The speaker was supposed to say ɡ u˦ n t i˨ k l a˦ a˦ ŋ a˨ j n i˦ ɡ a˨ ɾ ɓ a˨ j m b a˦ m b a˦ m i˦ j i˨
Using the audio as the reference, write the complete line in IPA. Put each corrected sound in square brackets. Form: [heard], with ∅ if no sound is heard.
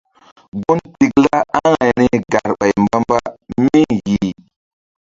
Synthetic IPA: ɡ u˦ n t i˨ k l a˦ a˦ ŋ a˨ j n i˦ ɡ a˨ ɾ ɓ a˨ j m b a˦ m b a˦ m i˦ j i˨